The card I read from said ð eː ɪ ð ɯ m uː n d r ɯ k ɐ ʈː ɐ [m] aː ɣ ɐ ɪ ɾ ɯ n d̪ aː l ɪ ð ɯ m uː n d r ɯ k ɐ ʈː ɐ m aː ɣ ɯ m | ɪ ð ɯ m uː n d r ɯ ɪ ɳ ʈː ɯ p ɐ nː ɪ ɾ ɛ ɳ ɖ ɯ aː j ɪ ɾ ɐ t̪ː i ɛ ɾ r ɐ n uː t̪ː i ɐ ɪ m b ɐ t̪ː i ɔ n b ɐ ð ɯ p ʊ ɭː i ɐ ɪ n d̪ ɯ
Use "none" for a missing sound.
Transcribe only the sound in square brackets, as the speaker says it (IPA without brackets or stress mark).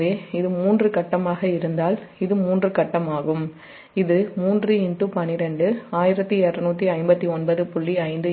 m